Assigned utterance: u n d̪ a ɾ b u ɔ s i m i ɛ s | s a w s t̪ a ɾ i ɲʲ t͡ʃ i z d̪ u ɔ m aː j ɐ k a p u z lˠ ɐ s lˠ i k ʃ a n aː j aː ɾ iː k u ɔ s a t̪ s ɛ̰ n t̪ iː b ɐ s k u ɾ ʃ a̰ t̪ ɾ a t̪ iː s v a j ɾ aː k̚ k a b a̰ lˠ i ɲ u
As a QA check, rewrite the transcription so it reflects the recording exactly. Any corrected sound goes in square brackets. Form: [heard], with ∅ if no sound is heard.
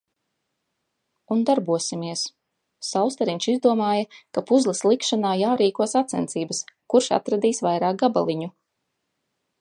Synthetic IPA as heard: u n d̪ a ɾ b u ɔ s i m i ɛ s | s a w s t̪ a ɾ i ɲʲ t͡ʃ i z d̪ u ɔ m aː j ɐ k a p u z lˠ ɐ s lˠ i k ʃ a n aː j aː ɾ iː k u ɔ s a t̪ s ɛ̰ n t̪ iː b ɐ s k u ɾ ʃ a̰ t̪ ɾ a [d̪] iː s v a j ɾ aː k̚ [ɡ] a b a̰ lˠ i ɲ u